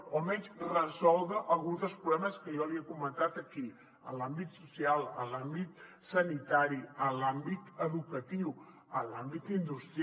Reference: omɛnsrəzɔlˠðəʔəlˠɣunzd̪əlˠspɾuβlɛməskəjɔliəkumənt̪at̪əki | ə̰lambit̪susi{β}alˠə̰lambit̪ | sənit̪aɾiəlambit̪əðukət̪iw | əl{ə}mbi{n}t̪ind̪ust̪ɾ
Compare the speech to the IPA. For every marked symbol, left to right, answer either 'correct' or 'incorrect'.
incorrect, incorrect, incorrect

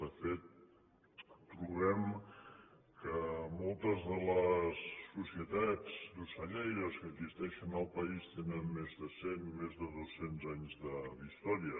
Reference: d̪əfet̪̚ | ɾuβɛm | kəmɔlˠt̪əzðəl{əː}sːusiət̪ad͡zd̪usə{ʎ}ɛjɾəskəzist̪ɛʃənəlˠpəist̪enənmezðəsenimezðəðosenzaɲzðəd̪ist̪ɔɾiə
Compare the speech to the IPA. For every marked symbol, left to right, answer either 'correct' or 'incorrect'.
incorrect, correct

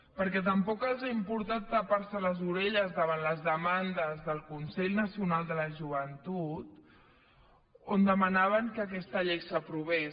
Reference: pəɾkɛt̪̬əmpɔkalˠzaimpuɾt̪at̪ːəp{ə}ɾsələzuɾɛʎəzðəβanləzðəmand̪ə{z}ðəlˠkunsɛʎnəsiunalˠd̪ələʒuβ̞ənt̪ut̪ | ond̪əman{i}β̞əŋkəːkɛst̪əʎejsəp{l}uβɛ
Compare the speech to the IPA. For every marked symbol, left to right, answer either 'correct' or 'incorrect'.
incorrect, correct, incorrect, incorrect

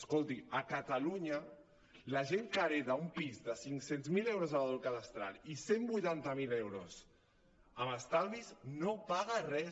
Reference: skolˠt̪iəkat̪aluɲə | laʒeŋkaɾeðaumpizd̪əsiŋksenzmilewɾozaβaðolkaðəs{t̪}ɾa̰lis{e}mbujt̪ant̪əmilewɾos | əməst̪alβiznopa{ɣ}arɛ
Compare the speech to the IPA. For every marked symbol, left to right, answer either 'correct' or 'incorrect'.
correct, correct, correct

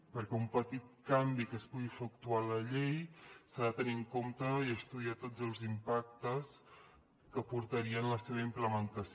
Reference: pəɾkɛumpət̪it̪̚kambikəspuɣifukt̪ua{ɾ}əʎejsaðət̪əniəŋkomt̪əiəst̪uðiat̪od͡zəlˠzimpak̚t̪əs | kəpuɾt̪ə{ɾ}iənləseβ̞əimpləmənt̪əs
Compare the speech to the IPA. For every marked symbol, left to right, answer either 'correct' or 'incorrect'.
incorrect, correct

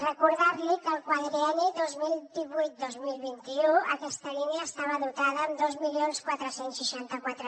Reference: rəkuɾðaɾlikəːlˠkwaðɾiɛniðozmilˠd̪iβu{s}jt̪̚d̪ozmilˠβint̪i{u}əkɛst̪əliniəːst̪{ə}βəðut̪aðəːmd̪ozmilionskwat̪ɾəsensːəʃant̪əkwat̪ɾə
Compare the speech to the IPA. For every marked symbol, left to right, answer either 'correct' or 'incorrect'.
incorrect, correct, incorrect

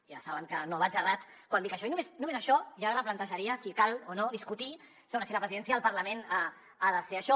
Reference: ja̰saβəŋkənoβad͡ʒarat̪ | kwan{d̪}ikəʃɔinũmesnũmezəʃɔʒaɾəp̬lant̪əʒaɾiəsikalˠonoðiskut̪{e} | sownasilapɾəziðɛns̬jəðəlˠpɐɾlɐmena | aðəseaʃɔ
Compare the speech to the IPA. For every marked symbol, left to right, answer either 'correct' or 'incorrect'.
correct, incorrect

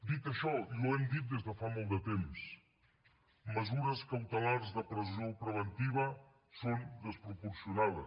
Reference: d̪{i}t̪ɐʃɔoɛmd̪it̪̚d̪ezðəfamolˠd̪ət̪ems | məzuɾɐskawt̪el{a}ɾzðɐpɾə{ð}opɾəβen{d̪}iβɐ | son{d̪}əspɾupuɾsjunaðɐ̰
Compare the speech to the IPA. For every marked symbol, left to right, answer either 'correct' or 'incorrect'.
correct, correct, incorrect, incorrect, correct

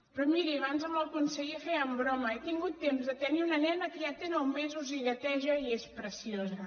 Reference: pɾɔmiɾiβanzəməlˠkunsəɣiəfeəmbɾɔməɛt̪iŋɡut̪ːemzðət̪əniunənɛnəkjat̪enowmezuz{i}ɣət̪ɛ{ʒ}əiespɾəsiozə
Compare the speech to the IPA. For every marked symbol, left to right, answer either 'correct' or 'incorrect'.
correct, correct

